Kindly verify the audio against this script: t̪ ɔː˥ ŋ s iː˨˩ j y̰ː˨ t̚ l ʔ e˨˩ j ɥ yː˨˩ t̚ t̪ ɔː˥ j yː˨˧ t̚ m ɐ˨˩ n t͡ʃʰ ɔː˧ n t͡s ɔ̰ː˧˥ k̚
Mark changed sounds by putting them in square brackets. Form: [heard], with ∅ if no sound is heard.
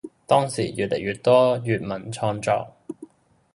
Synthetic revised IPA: t̪ ɔː˥ ŋ s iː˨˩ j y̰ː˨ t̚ l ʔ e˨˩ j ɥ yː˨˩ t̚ t̪ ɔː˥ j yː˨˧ t̚ m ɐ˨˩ n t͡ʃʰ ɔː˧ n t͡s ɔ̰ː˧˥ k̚